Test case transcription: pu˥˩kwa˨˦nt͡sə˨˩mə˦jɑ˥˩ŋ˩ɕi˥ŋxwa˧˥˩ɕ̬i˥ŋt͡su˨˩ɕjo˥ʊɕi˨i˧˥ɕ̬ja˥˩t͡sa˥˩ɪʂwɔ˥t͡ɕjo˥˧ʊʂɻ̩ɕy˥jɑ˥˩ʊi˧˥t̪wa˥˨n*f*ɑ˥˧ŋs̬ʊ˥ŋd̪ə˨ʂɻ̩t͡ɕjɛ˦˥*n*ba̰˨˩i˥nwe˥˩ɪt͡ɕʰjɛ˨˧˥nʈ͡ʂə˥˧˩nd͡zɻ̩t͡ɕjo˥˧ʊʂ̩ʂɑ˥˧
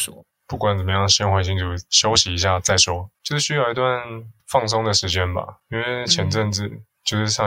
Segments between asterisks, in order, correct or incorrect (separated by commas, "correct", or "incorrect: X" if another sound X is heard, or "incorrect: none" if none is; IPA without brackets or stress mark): correct, correct